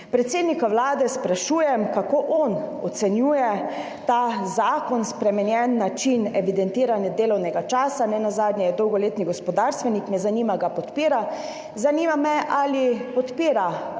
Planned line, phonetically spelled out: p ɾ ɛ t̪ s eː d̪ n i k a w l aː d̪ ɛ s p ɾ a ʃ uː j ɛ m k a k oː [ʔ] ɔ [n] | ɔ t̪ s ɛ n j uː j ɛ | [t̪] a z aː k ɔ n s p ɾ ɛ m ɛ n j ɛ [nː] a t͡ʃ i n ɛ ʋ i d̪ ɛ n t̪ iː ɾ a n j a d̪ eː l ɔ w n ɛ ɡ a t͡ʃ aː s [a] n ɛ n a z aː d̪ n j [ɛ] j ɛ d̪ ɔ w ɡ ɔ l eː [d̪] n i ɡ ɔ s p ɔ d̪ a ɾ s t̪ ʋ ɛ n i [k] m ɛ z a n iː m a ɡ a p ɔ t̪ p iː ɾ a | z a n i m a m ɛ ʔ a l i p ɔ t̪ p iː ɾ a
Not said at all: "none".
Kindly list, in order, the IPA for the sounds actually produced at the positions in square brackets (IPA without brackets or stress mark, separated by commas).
ʔ, n, t̪, nː, a, ɛ, t̪, k